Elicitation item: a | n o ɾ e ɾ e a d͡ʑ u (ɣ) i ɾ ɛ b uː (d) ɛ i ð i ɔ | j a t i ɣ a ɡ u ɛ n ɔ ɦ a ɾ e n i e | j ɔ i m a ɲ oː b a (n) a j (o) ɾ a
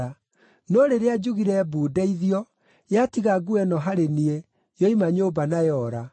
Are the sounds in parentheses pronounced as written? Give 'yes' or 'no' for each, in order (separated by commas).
yes, yes, yes, no